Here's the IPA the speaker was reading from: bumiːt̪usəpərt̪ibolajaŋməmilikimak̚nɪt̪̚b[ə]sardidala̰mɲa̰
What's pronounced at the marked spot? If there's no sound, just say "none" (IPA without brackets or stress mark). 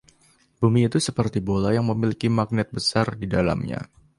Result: ə